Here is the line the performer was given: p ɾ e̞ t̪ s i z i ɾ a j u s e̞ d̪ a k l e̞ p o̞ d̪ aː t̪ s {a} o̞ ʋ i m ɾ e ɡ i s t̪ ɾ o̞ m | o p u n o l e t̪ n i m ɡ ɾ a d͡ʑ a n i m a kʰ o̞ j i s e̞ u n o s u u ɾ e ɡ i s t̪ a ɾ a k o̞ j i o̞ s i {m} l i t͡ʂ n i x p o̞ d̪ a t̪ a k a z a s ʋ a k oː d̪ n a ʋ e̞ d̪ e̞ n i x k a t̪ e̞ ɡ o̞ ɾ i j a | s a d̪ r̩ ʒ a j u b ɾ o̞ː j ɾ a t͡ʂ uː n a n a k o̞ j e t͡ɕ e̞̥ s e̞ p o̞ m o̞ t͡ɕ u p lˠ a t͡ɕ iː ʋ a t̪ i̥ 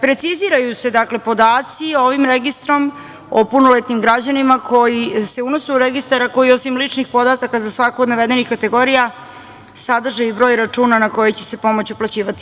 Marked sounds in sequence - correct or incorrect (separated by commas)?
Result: incorrect, correct